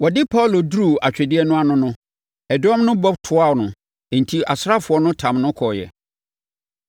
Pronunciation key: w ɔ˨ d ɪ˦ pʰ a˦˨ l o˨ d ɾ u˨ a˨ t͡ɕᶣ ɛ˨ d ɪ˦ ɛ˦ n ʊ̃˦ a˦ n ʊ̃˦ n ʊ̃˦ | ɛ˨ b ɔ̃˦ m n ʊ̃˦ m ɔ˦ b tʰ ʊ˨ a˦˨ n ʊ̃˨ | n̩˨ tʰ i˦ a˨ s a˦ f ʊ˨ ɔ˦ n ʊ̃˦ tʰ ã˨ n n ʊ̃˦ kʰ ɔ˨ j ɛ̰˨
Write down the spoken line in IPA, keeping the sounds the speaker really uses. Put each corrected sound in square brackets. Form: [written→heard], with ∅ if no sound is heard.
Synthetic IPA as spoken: w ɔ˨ d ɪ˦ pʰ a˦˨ l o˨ d ɾ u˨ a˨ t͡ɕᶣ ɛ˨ d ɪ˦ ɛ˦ n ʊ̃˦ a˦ n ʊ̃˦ n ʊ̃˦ | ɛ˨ [b→d] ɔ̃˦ m n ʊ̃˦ [m→b] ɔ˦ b tʰ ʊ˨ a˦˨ n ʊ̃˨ | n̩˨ tʰ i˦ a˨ s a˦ f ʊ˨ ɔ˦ n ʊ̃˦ tʰ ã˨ [n→m] n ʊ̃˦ kʰ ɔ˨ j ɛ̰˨